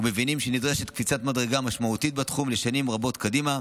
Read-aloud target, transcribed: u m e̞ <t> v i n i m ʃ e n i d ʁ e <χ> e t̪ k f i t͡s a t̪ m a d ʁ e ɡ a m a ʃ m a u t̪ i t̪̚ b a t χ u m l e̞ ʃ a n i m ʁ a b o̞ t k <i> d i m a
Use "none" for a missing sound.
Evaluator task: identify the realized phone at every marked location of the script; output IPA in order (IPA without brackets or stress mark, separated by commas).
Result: none, ʃ, a